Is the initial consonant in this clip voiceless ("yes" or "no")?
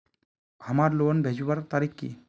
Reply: no